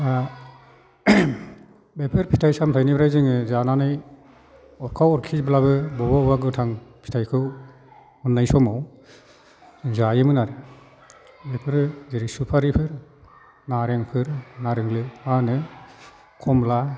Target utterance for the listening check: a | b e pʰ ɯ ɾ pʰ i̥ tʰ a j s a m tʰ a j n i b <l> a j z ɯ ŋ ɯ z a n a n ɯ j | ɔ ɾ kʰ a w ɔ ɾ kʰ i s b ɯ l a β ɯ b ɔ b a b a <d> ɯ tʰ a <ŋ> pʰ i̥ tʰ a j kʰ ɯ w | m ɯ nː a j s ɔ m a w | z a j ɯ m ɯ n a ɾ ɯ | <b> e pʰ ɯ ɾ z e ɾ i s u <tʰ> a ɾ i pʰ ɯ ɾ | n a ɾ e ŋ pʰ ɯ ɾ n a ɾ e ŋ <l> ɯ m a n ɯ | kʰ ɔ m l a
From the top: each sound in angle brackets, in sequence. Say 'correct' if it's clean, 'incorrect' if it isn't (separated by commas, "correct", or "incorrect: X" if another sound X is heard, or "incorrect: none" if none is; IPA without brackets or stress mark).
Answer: incorrect: ɾ, incorrect: ɡ, correct, correct, incorrect: pʰ, correct